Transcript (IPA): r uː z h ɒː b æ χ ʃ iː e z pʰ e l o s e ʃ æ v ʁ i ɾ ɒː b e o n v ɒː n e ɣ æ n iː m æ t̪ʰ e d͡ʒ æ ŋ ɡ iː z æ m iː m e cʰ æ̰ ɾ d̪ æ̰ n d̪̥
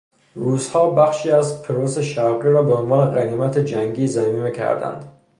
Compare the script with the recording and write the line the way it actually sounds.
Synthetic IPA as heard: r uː z h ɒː b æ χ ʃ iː æ z pʰ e ɾ o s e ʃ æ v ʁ i ɾ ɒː b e o n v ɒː n e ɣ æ n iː m æ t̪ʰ e d͡ʒ æ ŋ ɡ iː z æ m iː m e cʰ æ̰ ɾ d̪ æ̰ n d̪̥